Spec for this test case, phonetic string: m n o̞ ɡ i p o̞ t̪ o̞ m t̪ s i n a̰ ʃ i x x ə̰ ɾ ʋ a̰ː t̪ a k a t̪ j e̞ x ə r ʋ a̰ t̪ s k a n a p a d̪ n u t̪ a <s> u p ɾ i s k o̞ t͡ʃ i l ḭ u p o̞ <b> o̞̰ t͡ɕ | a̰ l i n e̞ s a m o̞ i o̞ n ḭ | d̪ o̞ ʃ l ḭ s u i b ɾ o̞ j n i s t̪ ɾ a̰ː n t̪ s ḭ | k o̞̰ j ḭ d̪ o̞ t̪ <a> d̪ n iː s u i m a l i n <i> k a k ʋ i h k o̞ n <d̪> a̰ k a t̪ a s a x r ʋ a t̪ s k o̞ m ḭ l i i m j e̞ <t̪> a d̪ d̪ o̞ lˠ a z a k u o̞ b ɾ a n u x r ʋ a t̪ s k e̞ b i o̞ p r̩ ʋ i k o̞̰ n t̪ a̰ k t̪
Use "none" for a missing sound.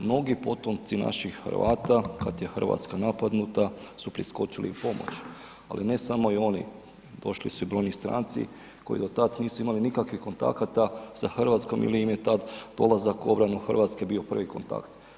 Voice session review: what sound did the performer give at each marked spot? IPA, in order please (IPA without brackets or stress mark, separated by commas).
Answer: s, m, a, i, t̪, t̪